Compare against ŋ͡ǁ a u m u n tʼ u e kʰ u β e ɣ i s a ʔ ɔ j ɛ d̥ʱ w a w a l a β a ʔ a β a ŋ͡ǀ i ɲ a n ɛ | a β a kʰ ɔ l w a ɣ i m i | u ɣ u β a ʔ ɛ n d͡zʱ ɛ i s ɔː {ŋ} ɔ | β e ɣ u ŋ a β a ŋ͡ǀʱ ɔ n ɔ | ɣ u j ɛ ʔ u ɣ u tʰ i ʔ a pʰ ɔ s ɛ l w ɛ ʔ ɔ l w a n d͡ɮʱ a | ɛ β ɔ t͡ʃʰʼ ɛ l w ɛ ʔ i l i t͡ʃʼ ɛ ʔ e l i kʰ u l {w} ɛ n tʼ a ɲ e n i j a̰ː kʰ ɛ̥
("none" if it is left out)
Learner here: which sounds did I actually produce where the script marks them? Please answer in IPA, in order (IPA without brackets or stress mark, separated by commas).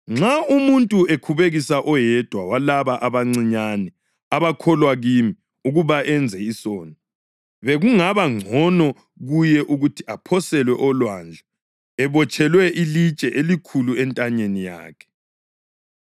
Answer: n, u